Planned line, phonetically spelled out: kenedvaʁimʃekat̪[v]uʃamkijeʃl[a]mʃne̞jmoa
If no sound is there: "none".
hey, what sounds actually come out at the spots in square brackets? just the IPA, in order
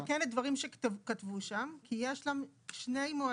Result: v, a

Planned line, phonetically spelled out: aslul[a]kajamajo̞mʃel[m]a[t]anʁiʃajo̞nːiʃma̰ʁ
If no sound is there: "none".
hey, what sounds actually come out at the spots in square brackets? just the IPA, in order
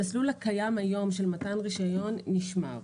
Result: a, m, t

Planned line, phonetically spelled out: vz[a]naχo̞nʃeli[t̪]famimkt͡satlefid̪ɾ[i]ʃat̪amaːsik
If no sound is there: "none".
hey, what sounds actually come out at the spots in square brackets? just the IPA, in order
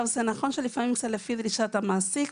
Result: e, none, i

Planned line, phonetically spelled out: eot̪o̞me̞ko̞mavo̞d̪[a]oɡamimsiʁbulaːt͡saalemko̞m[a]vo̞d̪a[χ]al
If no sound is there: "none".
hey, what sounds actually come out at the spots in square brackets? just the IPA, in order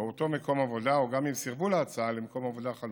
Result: a, a, χ

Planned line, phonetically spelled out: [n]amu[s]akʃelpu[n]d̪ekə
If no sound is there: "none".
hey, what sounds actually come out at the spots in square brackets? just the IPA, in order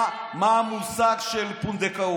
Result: m, s, n

